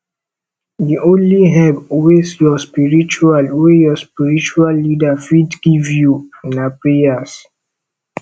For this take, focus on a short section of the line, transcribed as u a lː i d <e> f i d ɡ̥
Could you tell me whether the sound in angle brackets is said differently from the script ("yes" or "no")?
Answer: yes